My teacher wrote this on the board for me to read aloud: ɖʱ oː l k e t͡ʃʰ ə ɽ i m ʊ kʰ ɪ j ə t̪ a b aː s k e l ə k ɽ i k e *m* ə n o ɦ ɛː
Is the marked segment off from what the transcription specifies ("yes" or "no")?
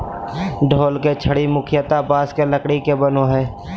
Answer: yes